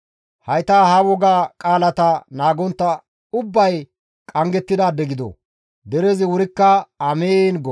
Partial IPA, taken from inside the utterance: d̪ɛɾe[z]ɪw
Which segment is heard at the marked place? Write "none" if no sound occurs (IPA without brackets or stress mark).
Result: z